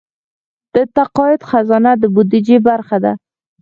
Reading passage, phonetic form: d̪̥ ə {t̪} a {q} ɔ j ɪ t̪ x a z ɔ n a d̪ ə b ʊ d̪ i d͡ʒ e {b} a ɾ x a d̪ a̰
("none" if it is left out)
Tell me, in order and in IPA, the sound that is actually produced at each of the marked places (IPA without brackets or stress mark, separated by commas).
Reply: t̪, q, b